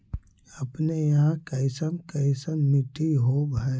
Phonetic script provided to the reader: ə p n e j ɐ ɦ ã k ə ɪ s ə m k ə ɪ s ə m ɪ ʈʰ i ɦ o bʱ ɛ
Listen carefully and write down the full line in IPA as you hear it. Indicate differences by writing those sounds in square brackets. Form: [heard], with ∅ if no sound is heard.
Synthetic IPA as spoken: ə p n e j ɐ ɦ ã k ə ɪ s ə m k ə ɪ s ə m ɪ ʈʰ i ɦ o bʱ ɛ